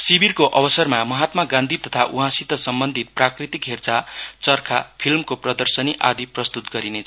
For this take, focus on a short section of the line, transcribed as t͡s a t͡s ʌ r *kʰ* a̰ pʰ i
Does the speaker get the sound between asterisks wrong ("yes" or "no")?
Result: no